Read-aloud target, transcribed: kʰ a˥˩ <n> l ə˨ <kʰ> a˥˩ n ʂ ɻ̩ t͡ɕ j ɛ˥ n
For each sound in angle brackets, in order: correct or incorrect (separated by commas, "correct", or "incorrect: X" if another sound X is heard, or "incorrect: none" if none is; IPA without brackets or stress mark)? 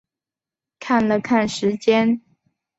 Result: correct, correct